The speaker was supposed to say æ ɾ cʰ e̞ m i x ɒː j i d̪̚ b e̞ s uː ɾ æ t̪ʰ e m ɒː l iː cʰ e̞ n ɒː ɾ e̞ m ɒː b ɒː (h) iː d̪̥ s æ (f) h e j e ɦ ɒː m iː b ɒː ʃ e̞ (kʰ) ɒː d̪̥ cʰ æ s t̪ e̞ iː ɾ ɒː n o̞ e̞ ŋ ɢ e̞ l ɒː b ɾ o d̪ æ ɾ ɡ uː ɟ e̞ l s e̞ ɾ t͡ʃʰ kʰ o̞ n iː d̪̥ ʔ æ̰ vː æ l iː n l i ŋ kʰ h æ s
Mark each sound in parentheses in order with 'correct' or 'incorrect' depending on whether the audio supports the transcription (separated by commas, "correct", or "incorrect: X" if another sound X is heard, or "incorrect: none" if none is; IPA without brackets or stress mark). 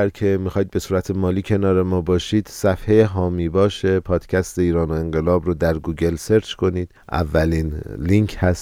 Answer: incorrect: ʃ, correct, incorrect: pʰ